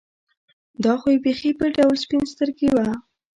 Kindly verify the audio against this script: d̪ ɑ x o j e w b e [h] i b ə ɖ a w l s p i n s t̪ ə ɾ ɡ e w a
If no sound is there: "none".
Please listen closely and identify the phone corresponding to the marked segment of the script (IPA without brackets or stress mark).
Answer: x